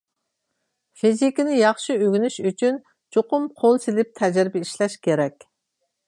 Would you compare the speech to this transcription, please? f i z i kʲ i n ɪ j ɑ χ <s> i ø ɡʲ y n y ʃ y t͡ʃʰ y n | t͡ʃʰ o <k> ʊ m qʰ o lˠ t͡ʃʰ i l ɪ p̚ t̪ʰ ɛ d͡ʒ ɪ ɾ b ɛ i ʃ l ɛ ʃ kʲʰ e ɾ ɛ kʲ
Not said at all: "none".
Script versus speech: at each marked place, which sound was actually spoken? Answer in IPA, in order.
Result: ʃ, q

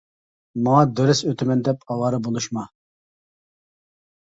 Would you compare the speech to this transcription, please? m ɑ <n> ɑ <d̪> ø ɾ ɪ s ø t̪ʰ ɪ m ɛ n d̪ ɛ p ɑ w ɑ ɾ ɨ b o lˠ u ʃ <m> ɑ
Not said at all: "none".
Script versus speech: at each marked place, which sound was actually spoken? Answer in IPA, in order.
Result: ŋ, d̪, m

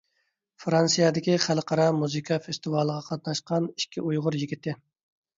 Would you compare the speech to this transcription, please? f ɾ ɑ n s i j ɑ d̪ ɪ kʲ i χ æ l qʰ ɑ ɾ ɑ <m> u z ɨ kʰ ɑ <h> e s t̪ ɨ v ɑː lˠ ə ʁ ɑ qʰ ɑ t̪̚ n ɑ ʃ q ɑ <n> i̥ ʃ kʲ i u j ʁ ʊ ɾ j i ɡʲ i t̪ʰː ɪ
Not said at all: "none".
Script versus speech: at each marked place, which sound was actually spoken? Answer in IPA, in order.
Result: m, f, n

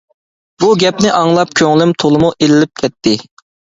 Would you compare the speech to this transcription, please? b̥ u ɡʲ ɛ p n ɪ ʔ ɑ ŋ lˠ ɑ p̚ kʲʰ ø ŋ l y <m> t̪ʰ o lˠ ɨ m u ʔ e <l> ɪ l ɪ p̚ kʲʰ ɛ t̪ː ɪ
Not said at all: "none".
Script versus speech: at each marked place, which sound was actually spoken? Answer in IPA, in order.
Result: m, l

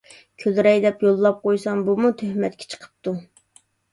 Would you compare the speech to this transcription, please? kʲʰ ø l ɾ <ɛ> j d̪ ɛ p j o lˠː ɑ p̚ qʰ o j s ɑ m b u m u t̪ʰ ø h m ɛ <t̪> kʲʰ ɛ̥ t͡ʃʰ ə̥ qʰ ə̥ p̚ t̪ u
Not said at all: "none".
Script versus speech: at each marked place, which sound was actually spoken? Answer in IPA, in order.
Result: ɛ, t̪

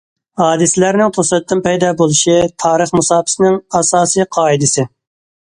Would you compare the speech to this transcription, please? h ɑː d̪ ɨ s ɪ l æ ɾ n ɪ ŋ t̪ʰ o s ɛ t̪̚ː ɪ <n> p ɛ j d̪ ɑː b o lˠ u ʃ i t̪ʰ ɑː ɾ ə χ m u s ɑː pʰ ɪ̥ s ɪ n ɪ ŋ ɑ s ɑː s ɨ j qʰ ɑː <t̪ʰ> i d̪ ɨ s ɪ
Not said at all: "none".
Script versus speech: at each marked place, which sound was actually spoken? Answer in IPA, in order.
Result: n, none

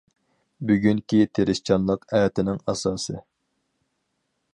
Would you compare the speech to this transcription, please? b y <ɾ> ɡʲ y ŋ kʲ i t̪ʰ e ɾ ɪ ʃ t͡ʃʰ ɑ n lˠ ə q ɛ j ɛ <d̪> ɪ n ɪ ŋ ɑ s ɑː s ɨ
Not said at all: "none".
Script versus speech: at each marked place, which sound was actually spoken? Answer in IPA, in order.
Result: none, t̪

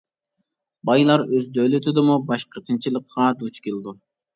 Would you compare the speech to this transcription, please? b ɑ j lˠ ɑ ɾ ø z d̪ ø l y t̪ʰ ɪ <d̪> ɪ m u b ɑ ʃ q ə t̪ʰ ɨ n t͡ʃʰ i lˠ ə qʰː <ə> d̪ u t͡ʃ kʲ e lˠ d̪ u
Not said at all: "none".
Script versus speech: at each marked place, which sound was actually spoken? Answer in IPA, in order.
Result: d̪, ɑ

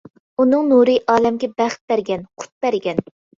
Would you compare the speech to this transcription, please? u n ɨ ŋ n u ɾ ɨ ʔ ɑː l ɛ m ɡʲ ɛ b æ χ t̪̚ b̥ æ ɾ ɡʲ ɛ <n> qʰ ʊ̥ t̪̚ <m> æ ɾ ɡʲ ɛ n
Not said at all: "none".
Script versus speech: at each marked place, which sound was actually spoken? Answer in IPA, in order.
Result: n, b

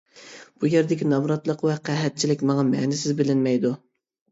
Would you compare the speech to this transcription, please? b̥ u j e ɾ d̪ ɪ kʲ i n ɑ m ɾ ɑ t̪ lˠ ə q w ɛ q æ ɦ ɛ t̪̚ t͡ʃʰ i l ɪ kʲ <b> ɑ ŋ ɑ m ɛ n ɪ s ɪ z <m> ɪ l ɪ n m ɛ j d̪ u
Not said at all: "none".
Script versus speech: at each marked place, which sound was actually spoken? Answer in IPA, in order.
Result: m, b

